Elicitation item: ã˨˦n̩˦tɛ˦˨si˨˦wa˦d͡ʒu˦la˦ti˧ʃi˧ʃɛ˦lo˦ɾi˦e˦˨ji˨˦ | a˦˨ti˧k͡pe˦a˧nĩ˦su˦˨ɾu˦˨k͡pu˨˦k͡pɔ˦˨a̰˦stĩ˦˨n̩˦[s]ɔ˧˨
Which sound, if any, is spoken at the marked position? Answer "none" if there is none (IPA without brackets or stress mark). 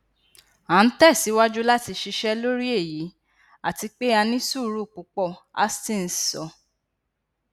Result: s